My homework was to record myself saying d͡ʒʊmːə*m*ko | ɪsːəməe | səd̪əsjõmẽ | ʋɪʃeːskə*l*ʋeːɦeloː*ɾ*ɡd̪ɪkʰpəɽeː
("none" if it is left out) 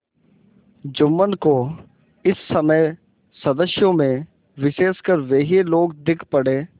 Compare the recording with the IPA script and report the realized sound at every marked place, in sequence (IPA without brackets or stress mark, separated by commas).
n, ɾ, none